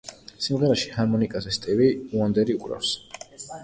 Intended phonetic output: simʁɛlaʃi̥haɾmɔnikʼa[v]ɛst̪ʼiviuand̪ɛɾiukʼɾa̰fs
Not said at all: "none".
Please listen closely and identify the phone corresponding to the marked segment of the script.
z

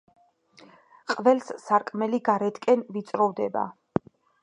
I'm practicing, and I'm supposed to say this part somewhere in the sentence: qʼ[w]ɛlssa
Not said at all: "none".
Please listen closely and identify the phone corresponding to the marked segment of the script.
v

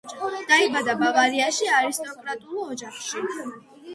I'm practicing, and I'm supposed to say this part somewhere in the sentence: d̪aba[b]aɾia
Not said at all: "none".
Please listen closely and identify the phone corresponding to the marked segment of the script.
v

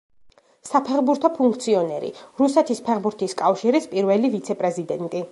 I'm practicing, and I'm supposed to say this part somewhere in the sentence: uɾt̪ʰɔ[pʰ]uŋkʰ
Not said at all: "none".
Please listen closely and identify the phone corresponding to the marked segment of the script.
pʰ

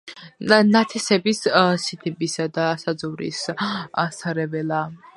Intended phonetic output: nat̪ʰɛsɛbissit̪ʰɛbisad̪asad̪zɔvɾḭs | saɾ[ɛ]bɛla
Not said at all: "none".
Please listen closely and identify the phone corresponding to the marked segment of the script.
ɛ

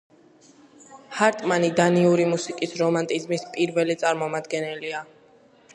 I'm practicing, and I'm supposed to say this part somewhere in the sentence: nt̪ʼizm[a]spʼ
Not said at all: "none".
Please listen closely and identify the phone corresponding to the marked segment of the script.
i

